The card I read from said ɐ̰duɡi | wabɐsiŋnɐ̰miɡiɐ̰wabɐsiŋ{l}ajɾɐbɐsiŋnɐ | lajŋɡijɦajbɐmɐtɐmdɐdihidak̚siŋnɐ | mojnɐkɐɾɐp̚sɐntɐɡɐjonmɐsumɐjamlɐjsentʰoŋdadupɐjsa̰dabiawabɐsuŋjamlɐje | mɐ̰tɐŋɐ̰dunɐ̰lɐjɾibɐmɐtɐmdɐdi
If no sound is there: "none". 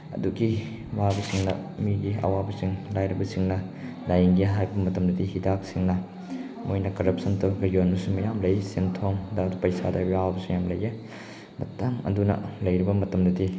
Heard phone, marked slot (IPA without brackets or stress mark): l